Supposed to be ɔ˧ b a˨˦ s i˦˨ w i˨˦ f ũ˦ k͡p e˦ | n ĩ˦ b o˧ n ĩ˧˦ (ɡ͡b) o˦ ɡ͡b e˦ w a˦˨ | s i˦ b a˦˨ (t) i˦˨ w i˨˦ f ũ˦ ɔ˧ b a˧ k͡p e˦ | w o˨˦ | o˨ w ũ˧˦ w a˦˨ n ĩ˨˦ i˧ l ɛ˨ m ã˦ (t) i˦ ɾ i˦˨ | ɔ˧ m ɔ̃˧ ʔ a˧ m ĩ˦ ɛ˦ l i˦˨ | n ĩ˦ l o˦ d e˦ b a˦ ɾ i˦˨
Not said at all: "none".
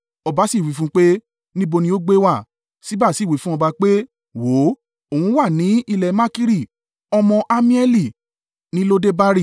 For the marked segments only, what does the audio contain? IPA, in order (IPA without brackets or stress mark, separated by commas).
none, s, k